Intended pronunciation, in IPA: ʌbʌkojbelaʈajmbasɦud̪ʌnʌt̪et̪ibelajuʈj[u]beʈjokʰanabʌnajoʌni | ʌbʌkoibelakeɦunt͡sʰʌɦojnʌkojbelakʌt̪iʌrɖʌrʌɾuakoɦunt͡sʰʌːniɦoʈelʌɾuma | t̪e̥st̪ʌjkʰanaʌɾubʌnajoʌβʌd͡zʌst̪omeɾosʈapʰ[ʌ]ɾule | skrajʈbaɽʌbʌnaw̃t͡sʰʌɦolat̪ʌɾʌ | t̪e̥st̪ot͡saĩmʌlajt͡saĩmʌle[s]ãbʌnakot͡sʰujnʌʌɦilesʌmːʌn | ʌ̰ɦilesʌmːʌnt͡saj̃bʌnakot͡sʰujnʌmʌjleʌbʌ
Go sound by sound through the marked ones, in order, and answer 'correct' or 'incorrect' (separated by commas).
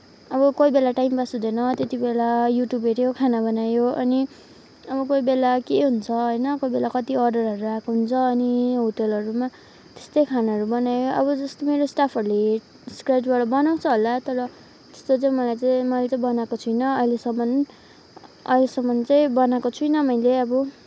correct, correct, incorrect